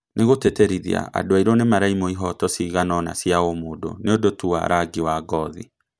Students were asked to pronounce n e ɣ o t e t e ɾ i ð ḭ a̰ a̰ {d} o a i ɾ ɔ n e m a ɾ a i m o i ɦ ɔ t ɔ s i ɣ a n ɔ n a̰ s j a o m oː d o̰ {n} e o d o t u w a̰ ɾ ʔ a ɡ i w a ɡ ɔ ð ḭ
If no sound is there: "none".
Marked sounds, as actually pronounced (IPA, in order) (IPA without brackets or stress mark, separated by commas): d, n